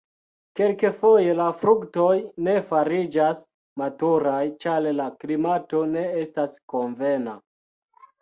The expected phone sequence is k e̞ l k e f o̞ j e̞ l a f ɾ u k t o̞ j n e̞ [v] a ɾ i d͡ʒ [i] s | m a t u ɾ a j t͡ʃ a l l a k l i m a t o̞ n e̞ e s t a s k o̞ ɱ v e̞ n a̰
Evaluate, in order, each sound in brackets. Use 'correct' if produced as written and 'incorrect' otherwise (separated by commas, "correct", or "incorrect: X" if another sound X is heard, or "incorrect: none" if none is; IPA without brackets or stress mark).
incorrect: f, incorrect: a